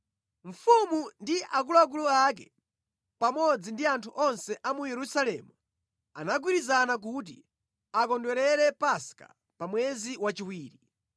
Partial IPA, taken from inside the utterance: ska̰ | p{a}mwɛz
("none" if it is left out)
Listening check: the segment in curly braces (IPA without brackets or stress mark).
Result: a